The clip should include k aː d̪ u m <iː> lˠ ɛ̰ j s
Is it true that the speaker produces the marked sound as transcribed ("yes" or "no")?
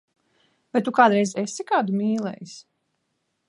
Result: yes